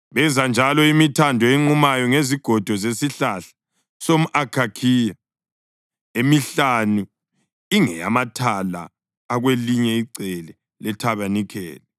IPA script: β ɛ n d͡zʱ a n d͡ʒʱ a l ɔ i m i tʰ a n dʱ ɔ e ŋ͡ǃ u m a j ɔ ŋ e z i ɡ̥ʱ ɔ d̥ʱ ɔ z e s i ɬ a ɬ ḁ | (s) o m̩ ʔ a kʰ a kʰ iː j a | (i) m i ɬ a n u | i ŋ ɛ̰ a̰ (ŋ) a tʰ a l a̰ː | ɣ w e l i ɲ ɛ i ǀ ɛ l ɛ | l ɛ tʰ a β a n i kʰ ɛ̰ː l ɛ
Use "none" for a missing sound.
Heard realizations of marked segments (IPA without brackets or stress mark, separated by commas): s, e, m